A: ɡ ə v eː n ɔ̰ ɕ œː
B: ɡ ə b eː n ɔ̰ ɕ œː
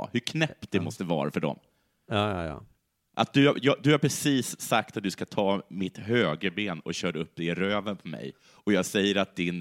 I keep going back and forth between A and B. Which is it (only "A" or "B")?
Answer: B